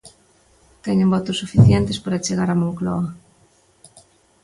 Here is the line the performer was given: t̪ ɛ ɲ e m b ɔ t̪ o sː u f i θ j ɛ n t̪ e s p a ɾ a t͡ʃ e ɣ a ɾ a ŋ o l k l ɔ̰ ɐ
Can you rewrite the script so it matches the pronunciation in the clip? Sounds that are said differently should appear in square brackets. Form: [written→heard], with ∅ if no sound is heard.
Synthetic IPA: t̪ ɛ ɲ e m b ɔ t̪ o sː u f i θ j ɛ n t̪ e s p a ɾ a t͡ʃ e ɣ a ɾ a [ŋ→m] o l k l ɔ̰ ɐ